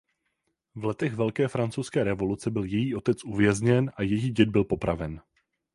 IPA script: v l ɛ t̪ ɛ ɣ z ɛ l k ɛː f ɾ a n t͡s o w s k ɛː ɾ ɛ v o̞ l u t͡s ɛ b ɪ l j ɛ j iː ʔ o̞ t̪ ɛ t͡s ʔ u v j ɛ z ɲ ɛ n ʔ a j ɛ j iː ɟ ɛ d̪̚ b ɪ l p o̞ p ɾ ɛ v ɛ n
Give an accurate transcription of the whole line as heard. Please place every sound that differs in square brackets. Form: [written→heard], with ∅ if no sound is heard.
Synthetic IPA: v l ɛ t̪ ɛ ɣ [z→v] ɛ l k ɛː f ɾ a n t͡s o w s k ɛː ɾ ɛ v o̞ l u t͡s ɛ b ɪ l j ɛ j iː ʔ o̞ t̪ ɛ t͡s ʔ u v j ɛ z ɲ ɛ n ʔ a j ɛ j iː ɟ ɛ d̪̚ b ɪ l p o̞ p ɾ [ɛ→a] v ɛ n